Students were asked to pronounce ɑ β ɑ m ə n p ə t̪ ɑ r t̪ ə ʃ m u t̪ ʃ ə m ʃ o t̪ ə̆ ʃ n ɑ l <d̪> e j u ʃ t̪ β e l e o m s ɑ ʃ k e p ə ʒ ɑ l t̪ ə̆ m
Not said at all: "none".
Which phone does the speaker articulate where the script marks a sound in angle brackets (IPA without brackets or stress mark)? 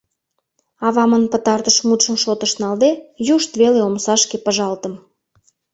d̪